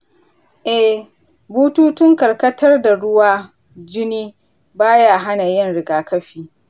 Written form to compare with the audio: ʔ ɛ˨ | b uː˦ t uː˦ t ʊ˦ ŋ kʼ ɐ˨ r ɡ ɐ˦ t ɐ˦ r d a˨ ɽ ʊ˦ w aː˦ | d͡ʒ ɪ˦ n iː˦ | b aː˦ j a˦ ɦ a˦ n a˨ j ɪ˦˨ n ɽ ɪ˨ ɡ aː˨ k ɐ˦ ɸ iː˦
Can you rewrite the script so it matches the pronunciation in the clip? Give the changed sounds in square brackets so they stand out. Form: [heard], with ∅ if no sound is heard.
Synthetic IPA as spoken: ʔ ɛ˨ | b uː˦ t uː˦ t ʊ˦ ŋ [k] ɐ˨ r [k] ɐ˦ t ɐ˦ r d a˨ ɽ ʊ˦ w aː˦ | d͡ʒ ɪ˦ n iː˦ | b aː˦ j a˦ ɦ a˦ n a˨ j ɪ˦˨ n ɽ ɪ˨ ɡ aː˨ k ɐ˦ ɸ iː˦